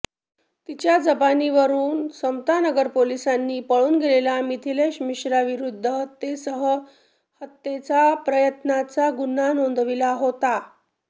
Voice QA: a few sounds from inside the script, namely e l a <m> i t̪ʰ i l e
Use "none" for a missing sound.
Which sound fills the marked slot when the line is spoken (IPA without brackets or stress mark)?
m